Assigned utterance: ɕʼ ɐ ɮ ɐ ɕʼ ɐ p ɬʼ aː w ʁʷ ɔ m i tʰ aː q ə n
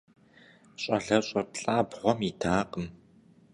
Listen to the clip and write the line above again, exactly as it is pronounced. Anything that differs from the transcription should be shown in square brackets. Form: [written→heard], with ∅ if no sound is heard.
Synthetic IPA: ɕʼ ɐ ɮ ɐ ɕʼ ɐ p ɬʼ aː [w→b] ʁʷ ɔ m i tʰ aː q ə [n→m]